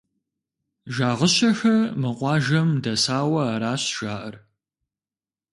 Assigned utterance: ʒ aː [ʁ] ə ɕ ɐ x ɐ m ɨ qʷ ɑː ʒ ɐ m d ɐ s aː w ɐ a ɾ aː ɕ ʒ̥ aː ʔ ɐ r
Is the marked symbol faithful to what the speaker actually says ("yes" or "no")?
yes